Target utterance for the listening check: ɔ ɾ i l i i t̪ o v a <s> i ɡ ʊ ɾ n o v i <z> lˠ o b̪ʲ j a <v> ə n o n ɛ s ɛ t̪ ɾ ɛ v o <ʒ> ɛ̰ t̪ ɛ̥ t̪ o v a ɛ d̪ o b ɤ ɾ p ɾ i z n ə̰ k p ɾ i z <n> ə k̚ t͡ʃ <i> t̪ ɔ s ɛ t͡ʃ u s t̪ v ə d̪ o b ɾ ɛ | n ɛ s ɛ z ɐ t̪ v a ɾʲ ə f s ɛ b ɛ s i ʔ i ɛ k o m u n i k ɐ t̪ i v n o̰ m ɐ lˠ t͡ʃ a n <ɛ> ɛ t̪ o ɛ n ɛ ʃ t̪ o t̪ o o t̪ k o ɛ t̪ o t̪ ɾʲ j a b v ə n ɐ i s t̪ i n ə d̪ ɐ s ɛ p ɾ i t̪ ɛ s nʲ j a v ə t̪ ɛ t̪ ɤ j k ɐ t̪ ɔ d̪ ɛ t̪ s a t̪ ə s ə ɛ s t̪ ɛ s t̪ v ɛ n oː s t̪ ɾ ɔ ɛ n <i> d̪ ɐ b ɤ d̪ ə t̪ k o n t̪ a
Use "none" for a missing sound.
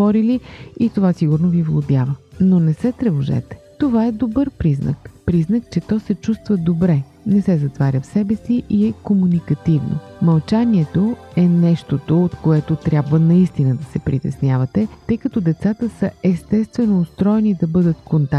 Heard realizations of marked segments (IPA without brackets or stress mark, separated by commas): s, v, v, ʒ, n, ɛ, i, i